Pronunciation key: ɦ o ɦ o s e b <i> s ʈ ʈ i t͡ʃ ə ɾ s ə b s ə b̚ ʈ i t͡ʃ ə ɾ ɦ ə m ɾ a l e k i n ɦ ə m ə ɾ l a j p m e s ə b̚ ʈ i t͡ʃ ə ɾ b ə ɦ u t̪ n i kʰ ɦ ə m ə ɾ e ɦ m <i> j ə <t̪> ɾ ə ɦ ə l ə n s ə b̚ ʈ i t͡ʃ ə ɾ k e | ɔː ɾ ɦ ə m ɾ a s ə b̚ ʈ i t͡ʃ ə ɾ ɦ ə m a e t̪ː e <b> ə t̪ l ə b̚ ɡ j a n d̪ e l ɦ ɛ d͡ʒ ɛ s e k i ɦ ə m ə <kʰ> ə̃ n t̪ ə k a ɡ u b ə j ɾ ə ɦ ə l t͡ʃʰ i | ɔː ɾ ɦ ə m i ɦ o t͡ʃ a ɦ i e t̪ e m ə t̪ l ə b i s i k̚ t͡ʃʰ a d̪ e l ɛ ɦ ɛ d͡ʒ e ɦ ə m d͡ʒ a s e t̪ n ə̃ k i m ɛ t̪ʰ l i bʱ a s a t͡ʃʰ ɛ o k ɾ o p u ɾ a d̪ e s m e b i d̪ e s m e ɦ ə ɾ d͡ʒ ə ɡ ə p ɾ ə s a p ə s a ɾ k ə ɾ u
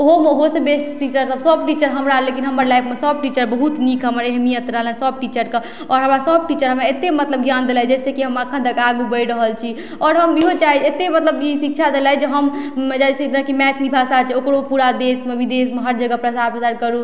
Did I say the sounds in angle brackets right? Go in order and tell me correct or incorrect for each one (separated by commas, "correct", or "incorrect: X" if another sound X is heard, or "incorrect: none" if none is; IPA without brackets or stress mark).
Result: incorrect: e, correct, correct, incorrect: m, correct